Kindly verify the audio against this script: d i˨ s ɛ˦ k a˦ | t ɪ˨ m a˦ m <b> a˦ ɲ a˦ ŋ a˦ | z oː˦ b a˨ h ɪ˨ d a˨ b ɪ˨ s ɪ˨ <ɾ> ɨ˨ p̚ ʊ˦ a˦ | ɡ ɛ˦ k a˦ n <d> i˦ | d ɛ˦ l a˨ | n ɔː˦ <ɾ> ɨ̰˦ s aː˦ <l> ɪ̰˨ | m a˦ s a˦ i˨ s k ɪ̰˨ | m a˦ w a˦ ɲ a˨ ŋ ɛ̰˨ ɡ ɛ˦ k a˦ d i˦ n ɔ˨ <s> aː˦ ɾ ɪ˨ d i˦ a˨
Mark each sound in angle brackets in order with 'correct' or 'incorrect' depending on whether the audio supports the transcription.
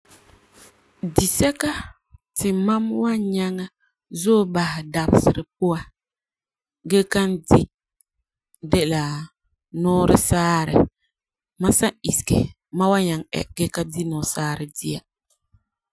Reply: incorrect, correct, correct, correct, incorrect, correct

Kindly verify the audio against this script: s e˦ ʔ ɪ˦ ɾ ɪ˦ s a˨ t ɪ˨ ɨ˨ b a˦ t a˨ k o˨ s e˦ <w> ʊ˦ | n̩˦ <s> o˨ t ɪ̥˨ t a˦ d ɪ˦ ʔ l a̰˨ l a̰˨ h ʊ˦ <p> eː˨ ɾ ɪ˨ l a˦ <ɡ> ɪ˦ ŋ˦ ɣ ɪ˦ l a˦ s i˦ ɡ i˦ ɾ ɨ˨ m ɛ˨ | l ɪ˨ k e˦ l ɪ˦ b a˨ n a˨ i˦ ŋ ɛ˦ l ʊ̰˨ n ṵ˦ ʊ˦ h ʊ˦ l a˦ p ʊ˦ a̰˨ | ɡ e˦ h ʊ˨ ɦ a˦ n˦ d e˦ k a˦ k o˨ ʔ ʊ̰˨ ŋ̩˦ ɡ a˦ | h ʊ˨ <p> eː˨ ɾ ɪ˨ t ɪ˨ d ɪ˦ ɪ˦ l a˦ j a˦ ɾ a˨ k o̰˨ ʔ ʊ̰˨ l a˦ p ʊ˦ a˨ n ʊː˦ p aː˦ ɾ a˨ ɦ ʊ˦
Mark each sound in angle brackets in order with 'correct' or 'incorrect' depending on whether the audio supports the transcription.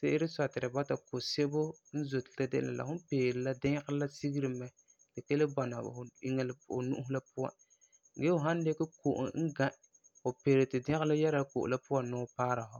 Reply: incorrect, incorrect, correct, incorrect, correct

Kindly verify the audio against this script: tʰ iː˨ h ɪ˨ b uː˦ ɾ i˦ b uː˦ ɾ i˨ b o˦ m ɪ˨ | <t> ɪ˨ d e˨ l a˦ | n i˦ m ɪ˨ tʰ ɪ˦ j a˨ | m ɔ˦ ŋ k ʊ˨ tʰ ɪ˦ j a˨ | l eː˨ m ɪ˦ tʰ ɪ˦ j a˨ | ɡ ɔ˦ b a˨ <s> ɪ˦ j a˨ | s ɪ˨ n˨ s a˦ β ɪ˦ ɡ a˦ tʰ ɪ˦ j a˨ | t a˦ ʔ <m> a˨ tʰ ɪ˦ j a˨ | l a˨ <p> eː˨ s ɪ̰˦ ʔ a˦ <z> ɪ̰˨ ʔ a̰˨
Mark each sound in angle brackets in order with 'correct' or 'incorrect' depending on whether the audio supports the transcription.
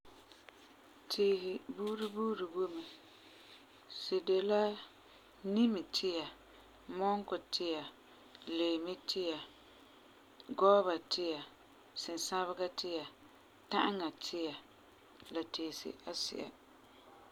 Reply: incorrect, incorrect, incorrect, incorrect, incorrect

